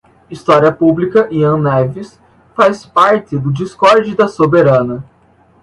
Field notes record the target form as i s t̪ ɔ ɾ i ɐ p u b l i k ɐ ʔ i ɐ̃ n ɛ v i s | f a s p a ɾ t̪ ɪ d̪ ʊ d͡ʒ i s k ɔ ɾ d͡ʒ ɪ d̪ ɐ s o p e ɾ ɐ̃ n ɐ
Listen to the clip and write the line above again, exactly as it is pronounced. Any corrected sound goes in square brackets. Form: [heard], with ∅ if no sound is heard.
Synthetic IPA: i s t̪ ɔ ɾ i ɐ p u b l i k ɐ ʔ i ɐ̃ n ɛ v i s | f a s p a ɾ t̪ ɪ d̪ ʊ d͡ʒ i s k ɔ ɾ d͡ʒ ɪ d̪ ɐ s o [b] e ɾ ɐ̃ n ɐ